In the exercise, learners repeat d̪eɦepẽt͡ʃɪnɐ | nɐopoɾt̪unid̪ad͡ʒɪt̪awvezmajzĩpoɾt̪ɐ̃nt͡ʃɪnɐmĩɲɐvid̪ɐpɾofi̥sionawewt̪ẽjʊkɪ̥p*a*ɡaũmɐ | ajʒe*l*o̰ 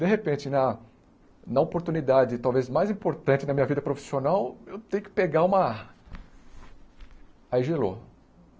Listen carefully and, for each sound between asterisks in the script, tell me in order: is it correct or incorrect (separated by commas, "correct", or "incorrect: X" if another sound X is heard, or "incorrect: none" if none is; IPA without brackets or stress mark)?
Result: incorrect: e, correct